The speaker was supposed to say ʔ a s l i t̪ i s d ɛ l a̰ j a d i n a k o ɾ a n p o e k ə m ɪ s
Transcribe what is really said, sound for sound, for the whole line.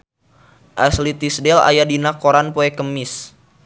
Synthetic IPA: ʔ a s l i t̪ i s d ɛ l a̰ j a d i n a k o ɾ a n p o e k ə m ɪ s

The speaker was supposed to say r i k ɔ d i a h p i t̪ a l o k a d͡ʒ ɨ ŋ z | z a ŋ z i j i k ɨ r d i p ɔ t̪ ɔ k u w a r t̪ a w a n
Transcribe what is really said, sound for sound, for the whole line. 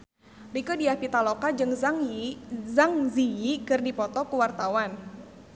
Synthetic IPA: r i k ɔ d i a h p i t̪ a l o k a d͡ʒ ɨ ŋ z | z a ŋ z i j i k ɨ r d i p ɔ t̪ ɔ k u w a r t̪ a w a n

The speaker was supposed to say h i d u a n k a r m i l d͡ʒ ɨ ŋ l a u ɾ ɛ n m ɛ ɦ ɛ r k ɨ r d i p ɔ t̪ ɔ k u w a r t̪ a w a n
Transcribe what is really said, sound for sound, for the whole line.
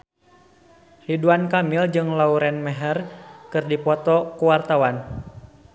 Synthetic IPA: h i d u a n k a m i l d͡ʒ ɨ ŋ l a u ɾ ɛ n m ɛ ɦ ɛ r k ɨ r d i p ɔ t̪ ɔ k u w a r t̪ a w a n

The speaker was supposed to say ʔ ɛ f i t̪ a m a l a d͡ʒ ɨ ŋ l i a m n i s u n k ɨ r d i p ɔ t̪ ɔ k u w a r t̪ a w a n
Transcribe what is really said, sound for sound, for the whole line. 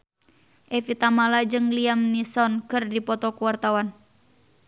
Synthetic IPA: ʔ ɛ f i t̪ a m a l a d͡ʒ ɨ ŋ l i a m n i s ɔ n k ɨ r d i p ɔ t̪ ɔ k u w a r t̪ a w a n

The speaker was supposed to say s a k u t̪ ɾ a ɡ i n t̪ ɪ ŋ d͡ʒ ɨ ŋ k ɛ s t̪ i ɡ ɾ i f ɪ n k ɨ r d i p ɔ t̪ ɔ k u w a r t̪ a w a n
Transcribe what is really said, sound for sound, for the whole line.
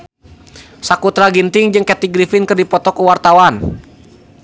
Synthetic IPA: s a k u t̪ ɾ a ɡ i n t̪ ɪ ŋ d͡ʒ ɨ ŋ k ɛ t̪ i ɡ ɾ i f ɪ n k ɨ r d i p ɔ t̪ ɔ k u w a r t̪ a w a n

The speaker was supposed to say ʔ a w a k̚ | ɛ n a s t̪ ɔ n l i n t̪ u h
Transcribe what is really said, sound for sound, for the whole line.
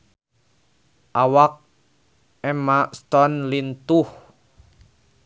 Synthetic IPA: ʔ a w a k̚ | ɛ m a s t̪ ɔ n l i n t̪ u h

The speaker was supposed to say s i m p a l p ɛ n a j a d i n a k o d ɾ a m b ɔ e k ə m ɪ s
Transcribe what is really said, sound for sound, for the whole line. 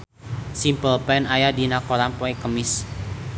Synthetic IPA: s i m p ə l p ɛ n a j a d i n a k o ɾ a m p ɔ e k ə m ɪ s

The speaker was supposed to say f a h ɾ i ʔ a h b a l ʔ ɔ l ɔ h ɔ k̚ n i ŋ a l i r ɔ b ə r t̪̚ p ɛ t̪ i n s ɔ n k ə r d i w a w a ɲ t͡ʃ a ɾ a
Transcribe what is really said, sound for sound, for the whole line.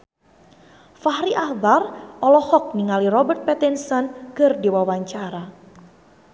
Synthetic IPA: f a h ɾ i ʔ a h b a r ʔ ɔ l ɔ h ɔ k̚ n i ŋ a l i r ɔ b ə r t̪̚ p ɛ t̪ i n s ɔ n k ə r d i w a w a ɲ t͡ʃ a ɾ a

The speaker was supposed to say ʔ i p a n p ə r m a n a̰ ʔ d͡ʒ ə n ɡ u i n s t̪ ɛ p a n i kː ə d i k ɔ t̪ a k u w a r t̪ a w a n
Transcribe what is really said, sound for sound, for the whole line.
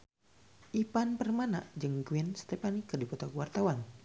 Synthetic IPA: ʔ i p a n p ə r m a n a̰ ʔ d͡ʒ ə ŋ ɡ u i n s t̪ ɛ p a n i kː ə d i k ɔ t̪ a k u w a r t̪ a w a n

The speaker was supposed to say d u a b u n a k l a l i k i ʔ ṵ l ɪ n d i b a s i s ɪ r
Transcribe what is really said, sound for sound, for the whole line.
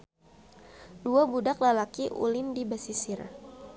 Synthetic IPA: d u a b u d a k l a l a k i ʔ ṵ l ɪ n d i b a s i s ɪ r

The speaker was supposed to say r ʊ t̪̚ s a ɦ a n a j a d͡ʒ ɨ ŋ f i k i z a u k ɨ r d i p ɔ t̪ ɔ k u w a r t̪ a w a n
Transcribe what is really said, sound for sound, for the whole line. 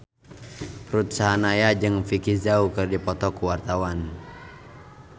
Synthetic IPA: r u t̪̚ s a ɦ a n a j a d͡ʒ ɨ ŋ f i k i z a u k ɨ r d i p ɔ t̪ ɔ k u w a r t̪ a w a n

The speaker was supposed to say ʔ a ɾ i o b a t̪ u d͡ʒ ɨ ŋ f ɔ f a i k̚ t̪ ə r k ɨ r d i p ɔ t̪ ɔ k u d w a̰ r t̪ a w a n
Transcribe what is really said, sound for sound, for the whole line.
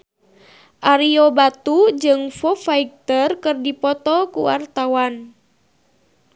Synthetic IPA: ʔ a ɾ i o b a t̪ u d͡ʒ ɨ ŋ f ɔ f a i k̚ t̪ ə r k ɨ r d i p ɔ t̪ ɔ k u w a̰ r t̪ a w a n

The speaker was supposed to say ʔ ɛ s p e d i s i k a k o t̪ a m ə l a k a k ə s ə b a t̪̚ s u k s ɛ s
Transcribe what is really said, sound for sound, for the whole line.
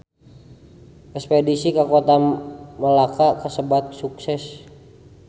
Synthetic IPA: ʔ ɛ s p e d i s i k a k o t̪ a m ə l a k a k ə s ə b a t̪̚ s u k s ɛ s

